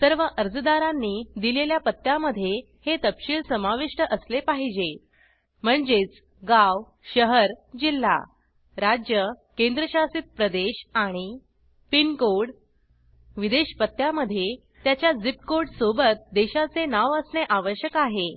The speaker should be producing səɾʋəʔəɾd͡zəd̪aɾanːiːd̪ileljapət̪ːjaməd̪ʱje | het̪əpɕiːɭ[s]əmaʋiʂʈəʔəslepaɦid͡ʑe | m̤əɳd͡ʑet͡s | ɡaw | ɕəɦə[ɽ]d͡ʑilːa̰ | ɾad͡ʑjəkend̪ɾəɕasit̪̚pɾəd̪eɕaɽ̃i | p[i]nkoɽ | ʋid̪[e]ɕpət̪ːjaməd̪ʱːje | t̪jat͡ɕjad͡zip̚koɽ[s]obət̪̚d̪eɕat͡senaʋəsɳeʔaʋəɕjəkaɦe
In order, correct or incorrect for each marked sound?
correct, incorrect, correct, correct, correct

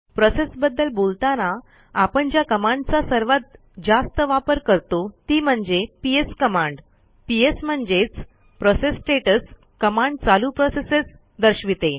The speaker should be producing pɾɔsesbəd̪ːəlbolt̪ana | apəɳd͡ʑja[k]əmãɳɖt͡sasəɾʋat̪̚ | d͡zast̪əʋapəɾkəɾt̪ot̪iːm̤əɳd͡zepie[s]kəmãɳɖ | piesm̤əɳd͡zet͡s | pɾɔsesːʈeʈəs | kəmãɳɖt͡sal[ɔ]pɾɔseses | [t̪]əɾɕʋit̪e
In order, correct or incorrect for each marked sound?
correct, correct, incorrect, incorrect

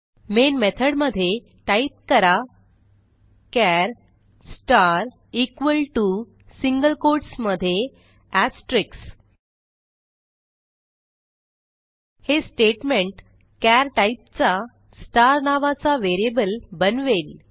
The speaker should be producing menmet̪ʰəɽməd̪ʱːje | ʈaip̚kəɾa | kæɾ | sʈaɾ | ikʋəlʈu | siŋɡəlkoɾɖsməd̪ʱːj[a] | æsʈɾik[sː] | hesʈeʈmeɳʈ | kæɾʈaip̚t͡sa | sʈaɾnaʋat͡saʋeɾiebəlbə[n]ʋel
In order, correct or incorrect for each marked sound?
incorrect, incorrect, correct

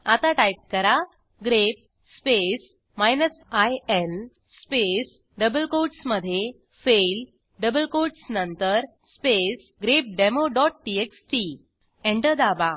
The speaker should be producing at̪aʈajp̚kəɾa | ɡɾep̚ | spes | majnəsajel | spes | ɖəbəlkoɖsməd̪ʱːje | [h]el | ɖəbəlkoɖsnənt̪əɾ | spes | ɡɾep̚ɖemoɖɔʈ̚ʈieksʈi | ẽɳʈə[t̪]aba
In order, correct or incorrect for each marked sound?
incorrect, incorrect

